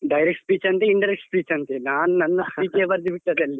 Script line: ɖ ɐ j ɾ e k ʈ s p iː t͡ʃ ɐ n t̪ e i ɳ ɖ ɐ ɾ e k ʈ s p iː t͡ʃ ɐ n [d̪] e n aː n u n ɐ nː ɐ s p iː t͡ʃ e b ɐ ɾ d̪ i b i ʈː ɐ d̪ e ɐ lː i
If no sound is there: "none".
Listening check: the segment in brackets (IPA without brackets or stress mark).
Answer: t̪